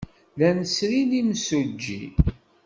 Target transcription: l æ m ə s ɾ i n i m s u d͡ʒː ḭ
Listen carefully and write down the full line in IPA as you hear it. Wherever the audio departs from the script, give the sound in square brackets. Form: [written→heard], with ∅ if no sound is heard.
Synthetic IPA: l æ [m→n] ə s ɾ i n i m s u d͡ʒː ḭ